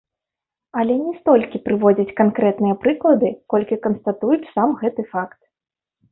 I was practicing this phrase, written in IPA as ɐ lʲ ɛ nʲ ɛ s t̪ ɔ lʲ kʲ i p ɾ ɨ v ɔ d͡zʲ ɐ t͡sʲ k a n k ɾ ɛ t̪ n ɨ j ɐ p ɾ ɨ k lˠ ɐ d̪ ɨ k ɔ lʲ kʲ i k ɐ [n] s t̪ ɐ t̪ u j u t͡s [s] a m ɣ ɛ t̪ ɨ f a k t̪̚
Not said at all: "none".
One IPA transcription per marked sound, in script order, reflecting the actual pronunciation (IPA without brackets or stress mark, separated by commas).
n, s